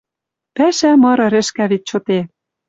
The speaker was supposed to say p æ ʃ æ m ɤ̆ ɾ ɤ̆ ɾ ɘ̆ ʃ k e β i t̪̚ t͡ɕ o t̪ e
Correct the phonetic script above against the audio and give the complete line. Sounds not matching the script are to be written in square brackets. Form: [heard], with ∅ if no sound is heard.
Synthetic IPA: p æ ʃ æ m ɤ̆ ɾ ɤ̆ ɾ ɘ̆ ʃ k [æ] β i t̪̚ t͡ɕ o t̪ e